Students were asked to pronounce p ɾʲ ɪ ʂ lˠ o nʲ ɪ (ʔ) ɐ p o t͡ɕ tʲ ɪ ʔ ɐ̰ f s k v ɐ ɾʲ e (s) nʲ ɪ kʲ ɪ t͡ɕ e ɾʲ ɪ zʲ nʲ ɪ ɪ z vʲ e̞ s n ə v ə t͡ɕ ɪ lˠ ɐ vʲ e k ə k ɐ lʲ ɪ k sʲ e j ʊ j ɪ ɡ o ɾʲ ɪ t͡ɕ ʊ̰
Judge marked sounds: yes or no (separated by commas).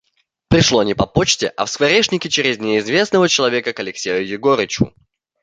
no, no